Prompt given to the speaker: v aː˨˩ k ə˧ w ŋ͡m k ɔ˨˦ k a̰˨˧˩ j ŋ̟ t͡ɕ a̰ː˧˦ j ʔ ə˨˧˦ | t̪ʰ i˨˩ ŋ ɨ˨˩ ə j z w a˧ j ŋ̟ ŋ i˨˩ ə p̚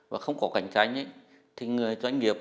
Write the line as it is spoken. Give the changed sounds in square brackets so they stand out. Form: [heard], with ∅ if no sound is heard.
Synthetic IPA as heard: v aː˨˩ [x] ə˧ w ŋ͡m k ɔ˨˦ k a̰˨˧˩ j ŋ̟ t͡ɕ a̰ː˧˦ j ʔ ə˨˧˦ | t̪ʰ i˨˩ ŋ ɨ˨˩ ə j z w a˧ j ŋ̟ ŋ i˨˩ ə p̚